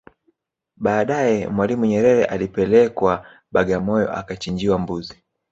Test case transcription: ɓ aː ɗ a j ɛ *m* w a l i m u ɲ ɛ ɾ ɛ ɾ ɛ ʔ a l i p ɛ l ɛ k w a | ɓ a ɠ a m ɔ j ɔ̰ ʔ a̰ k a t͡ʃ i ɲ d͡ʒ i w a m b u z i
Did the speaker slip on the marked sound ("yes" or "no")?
no